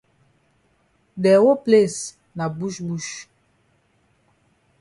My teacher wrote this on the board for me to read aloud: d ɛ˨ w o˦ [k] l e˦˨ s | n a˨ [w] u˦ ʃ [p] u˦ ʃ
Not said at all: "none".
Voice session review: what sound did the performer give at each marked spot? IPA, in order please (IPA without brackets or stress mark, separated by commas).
p, b, b